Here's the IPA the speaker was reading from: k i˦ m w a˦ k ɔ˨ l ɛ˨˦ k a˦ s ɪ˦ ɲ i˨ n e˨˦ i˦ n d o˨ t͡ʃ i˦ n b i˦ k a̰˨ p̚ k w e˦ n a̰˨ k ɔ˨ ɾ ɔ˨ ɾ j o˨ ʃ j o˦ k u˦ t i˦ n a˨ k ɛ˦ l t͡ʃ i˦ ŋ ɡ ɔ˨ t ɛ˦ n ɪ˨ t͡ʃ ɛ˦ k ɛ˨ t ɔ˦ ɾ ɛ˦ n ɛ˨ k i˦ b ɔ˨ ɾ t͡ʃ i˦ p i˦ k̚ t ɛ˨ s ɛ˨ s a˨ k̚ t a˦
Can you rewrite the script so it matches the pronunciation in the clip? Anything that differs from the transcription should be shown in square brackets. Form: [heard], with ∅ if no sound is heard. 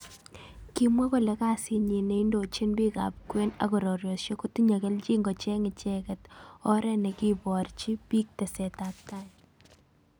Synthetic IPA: k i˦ m w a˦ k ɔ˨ l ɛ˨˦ k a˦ s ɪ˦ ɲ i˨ n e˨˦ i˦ n d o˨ t͡ʃ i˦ n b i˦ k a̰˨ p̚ k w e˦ n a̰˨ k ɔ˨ ɾ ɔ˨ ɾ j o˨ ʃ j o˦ k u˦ t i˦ [ɲ] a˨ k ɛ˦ l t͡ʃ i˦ ŋ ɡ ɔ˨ [t͡ʃ] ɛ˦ [ŋ] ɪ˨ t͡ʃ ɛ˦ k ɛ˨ t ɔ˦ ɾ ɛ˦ n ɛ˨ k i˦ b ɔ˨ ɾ t͡ʃ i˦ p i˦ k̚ t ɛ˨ s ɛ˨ [t] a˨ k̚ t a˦